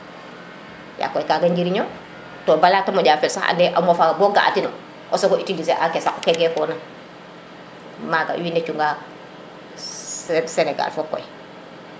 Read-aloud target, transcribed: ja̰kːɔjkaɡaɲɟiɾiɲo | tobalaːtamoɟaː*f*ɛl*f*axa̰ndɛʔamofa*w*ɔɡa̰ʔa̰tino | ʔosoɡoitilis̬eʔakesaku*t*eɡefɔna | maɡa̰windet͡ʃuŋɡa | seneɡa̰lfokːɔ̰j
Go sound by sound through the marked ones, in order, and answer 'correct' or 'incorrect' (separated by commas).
correct, incorrect, incorrect, incorrect